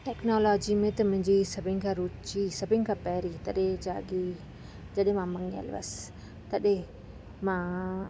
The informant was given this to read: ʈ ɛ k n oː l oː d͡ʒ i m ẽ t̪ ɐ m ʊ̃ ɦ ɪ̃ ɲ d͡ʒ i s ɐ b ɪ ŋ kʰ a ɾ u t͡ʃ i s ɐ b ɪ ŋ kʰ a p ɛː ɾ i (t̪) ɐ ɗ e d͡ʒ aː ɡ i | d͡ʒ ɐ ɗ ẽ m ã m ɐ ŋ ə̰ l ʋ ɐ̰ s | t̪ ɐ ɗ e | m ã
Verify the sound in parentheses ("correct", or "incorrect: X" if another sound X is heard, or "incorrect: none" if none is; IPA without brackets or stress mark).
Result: correct